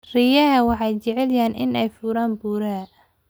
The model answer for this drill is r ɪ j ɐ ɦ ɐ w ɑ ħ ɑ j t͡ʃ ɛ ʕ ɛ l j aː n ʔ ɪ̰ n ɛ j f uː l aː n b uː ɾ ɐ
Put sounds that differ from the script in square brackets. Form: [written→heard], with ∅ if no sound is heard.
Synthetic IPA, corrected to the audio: r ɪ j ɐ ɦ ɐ w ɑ ħ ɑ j t͡ʃ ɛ ʕ ɛ l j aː n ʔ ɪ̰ n ɛ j f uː [l→ɾ] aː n b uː ɾ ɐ